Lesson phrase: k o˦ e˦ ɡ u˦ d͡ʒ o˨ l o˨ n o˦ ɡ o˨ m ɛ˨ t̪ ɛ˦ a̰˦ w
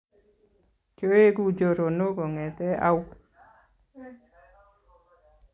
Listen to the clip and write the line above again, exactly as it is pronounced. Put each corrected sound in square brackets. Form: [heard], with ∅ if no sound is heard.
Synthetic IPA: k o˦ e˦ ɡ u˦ d͡ʒ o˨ [ɾ] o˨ n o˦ ɡ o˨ [ŋ] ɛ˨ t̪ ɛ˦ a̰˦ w